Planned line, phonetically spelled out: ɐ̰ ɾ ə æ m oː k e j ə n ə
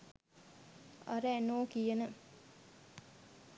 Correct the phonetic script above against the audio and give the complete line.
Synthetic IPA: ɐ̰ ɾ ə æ n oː k i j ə n ə